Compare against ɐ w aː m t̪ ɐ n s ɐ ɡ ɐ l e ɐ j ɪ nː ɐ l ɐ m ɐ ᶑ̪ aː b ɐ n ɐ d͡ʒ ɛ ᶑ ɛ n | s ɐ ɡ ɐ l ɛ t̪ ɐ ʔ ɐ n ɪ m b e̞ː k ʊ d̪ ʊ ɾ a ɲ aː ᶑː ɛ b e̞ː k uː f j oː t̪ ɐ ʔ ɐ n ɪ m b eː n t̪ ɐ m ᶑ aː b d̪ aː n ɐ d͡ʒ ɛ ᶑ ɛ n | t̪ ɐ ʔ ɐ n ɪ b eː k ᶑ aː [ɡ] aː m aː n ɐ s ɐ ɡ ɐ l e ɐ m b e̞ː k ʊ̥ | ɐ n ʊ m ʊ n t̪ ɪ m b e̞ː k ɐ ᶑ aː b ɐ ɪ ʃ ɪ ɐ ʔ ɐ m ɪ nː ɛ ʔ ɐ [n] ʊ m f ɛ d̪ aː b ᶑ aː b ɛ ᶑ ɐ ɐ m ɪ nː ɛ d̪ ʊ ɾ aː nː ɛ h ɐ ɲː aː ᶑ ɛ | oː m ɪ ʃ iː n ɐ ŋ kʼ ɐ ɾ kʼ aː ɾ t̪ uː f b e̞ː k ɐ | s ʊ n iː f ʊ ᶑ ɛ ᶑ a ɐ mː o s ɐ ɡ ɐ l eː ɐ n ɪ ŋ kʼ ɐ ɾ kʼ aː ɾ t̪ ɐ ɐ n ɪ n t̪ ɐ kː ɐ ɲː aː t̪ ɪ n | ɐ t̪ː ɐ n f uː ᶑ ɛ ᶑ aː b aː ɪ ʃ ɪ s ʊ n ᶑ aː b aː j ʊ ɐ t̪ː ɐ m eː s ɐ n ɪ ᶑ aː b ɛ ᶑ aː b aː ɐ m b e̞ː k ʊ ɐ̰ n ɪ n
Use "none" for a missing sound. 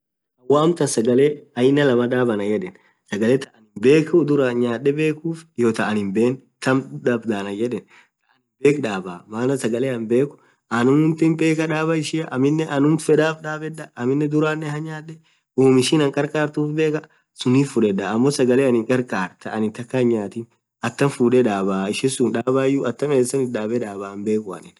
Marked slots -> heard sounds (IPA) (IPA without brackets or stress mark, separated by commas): b, n